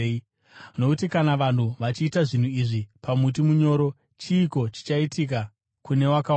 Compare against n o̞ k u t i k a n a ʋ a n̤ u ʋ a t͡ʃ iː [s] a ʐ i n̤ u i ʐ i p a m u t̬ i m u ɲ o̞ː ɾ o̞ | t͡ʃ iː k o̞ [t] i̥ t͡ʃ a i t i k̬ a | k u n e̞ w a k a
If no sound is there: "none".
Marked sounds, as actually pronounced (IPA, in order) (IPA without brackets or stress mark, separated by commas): t, t͡ʃ